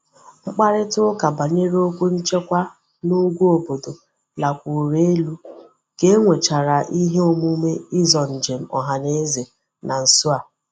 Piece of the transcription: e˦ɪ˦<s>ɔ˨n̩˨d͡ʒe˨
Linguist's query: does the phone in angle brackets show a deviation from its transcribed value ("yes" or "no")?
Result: yes